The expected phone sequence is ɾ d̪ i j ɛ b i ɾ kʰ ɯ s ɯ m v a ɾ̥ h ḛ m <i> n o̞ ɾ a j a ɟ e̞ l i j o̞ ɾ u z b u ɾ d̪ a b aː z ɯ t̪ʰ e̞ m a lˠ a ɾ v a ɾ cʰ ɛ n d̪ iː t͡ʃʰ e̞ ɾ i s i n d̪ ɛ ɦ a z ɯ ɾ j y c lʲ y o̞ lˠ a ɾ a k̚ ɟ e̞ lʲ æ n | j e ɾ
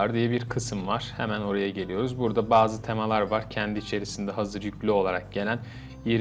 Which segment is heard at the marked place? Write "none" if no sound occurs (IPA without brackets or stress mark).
æ